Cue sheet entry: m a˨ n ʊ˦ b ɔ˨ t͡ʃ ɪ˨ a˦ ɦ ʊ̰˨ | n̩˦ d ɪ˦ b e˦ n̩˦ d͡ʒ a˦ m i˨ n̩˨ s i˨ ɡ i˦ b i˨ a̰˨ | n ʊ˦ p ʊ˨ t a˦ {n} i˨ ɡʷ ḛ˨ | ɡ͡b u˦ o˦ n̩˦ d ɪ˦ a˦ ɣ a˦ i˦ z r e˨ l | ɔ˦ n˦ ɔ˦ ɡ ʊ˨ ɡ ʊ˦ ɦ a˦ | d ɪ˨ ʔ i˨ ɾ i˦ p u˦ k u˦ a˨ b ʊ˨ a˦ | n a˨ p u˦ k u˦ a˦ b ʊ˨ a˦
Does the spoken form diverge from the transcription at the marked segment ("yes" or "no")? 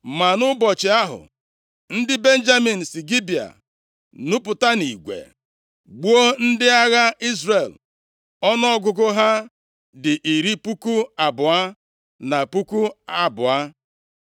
no